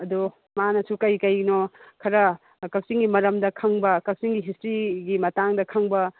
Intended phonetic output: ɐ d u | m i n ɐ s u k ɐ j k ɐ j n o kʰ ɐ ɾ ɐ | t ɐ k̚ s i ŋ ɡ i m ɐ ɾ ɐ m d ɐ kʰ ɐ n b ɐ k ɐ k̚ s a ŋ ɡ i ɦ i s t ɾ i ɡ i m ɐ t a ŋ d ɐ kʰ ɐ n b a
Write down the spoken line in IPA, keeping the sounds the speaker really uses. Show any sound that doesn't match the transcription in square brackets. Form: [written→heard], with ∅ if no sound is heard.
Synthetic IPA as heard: ɐ d u | m [i→a] n ɐ s u k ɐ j k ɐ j n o kʰ ɐ ɾ ɐ | [t→k] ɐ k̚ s i ŋ ɡ i m ɐ ɾ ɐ m d ɐ kʰ ɐ [n→ŋ] b ɐ k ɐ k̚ s [a→i] ŋ ɡ i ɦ i s t ɾ i ɡ i m ɐ t a ŋ d ɐ kʰ ɐ [n→ŋ] b [a→ɐ]